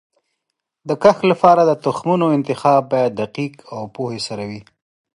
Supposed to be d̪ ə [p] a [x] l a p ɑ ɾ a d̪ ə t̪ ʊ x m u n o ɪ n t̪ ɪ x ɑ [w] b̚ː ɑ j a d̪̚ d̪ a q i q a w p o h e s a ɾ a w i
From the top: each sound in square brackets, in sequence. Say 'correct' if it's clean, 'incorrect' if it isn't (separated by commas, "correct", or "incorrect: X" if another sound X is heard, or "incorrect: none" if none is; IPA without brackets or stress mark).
incorrect: k, correct, incorrect: none